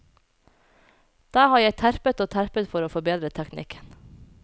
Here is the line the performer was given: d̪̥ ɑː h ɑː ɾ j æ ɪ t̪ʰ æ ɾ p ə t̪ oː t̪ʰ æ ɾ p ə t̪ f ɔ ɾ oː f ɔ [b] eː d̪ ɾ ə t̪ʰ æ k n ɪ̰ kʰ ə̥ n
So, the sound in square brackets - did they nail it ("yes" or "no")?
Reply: yes